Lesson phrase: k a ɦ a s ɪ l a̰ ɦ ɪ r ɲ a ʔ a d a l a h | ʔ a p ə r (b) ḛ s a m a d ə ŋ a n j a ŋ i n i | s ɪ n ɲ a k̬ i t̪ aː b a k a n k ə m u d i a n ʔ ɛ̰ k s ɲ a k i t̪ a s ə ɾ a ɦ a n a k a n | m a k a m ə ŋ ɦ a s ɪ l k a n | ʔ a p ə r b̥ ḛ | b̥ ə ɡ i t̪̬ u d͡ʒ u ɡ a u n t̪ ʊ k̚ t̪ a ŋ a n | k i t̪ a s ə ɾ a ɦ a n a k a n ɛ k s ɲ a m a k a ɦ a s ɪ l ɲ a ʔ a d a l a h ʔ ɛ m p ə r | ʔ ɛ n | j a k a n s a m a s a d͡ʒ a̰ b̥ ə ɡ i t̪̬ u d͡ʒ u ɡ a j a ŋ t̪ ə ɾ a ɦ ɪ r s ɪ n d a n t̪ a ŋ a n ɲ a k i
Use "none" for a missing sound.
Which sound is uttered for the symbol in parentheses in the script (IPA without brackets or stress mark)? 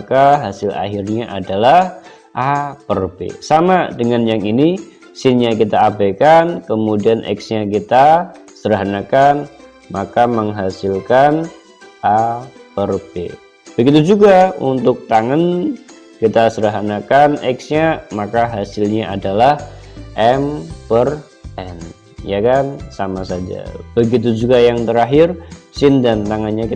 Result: b